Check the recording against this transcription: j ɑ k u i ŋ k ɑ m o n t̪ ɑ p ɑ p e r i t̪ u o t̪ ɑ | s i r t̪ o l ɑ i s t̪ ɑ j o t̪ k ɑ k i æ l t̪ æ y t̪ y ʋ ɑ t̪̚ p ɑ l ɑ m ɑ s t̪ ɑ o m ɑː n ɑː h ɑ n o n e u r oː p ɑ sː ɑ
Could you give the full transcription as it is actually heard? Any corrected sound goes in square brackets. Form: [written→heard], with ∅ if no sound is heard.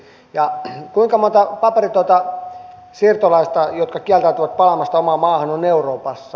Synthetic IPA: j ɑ k u i ŋ k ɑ m o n t̪ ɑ p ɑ p e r i t̪ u o t̪ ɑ | s i r t̪ o l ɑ i s t̪ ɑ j o t̪ k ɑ k i æ l t̪ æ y t̪ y ʋ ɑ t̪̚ p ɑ l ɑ m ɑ s t̪ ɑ o m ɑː [n→m] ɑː h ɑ n o n e u r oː p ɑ sː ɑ